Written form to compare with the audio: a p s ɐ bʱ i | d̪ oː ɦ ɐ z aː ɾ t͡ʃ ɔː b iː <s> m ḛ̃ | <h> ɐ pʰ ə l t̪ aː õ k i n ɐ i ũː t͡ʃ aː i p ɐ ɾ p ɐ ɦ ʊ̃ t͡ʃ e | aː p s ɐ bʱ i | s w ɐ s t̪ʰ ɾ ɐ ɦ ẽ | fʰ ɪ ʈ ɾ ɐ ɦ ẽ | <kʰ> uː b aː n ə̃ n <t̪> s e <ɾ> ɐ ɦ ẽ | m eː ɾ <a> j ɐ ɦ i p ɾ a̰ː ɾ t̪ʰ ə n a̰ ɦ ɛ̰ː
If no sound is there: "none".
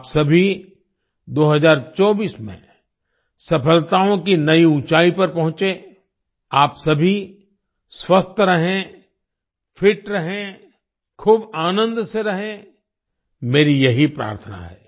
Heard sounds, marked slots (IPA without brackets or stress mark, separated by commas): s, s, kʰ, d̪, ɾ, i